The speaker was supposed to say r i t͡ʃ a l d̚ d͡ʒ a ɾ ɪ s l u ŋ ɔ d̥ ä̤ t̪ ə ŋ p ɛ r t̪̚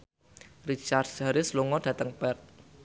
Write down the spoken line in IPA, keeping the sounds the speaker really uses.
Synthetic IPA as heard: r i t͡ʃ a r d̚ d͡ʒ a ɾ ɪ s l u ŋ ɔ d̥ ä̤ t̪ ə ŋ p ɛ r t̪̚